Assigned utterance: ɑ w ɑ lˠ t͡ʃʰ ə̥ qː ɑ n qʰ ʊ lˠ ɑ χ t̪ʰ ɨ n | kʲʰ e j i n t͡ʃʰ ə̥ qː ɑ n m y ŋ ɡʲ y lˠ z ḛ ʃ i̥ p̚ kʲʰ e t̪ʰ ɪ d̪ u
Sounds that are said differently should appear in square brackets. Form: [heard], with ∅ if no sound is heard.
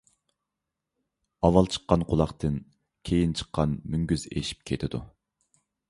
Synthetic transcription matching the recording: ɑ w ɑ lˠ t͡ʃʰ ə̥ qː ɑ n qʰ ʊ lˠ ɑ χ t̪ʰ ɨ n | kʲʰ e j i n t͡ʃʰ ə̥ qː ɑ n m y ŋ ɡʲ y [∅] z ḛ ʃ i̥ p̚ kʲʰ e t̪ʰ ɪ d̪ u